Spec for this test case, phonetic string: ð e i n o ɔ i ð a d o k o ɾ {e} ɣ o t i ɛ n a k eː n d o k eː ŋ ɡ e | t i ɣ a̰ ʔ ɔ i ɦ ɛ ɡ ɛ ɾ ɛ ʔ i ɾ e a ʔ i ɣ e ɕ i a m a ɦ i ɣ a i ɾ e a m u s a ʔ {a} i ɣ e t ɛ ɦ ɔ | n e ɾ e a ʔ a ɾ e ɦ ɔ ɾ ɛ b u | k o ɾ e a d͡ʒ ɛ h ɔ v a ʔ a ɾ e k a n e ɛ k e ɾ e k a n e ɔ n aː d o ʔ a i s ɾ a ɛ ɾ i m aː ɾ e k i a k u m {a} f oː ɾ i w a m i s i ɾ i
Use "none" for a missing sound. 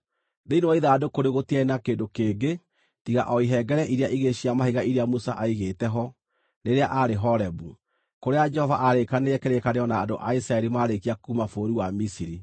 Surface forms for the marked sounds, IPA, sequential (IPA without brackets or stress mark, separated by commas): e, a, a